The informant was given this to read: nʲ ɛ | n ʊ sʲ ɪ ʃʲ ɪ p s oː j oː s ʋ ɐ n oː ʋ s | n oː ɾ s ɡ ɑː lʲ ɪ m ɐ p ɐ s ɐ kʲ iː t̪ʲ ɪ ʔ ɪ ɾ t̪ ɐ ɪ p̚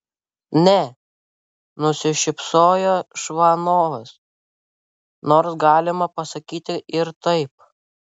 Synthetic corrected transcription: nʲ ɛ | n ʊ sʲ ɪ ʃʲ ɪ p s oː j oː ʃ ʋ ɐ n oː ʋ s | n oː ɾ s ɡ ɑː lʲ ɪ m ɐ p ɐ s ɐ kʲ iː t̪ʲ ɪ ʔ ɪ ɾ t̪ ɐ ɪ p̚